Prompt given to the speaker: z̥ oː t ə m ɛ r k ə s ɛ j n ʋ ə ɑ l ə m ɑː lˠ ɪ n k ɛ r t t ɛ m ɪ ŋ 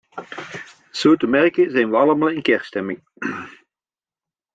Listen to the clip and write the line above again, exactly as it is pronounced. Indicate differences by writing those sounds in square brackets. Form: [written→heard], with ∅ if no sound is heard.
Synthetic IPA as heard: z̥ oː t ə m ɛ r k ə [s→z] ɛ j n ʋ ə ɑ l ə m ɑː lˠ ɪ n k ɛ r [t→s] t ɛ m ɪ ŋ